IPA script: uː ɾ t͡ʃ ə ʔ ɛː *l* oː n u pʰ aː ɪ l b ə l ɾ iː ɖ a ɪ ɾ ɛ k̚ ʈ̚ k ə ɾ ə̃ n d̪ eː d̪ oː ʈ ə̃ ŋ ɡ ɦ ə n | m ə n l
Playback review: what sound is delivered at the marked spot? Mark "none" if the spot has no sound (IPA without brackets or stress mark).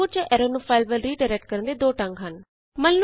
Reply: ɾ